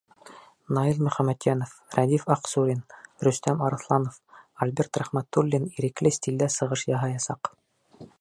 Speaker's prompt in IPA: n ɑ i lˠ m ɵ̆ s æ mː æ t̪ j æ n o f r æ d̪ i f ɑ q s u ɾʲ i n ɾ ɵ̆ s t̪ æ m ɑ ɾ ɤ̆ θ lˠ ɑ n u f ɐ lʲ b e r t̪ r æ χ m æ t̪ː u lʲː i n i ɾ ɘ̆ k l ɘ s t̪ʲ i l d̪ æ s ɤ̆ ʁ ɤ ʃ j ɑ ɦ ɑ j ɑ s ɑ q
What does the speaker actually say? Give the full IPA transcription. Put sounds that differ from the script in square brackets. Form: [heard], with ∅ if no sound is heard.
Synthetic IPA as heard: n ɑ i lˠ m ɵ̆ [χ] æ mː æ t̪ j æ n o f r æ d̪ i f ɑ q s u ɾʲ i n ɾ ɵ̆ s t̪ æ m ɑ ɾ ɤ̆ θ lˠ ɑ n [o] f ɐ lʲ b e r t̪ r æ χ m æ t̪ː u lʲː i n i ɾ ɘ̆ k l ɘ s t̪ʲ i l d̪ æ s ɤ̆ ʁ ɤ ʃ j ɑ ɦ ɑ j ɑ s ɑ q